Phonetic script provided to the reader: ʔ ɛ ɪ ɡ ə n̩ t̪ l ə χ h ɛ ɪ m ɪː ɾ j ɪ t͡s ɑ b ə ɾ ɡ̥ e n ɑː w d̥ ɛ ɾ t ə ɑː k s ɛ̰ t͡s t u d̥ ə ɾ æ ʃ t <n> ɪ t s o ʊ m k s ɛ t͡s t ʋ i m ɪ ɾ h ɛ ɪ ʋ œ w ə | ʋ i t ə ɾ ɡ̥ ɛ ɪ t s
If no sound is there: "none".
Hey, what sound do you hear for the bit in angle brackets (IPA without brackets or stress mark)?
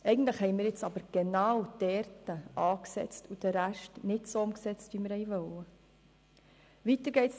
n